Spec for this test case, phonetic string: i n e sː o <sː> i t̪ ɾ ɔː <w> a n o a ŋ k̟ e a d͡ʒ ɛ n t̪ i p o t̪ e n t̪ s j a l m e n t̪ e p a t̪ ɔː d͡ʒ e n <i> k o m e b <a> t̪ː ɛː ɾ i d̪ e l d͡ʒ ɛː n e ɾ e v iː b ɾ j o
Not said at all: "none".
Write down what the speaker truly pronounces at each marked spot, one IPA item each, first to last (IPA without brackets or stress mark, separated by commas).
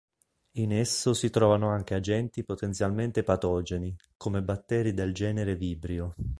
s, v, i, a